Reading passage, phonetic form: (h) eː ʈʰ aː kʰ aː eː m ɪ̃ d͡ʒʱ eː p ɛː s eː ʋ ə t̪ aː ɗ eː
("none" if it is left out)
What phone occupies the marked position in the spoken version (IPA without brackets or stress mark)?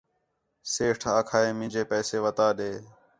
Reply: s